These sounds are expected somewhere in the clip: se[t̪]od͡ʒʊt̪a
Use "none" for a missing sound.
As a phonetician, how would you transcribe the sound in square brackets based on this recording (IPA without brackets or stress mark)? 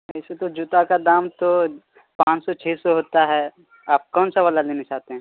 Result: t̪